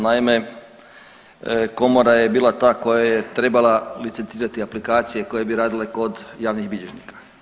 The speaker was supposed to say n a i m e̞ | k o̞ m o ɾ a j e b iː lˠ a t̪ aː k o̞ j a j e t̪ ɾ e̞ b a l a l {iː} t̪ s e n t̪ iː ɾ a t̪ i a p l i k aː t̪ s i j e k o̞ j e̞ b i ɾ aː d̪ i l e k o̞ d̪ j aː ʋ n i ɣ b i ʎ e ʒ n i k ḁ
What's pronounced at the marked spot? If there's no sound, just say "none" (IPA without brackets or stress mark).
i